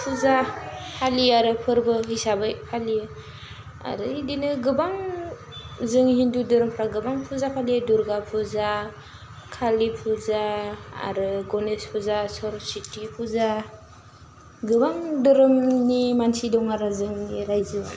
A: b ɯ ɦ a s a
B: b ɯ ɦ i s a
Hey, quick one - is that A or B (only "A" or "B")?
B